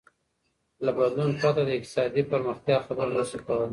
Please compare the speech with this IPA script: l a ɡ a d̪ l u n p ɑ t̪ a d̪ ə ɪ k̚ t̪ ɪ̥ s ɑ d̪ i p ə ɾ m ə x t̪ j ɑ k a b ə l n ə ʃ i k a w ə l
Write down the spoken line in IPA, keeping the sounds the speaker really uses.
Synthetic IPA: l a b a d̪ l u n p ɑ t̪ a d̪ ə ɪ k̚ t̪ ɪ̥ s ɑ d̪ i p ə ɾ m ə x t̪ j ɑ x a b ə ɾ n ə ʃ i k a w ə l